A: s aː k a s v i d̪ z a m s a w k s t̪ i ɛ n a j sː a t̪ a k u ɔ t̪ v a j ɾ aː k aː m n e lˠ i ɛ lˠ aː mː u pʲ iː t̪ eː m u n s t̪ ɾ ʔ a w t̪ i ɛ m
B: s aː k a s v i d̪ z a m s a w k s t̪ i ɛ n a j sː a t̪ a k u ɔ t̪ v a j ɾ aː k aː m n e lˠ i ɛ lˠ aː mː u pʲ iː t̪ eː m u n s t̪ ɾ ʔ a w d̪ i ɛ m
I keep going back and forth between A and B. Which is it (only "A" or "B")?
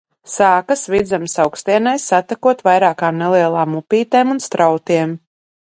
A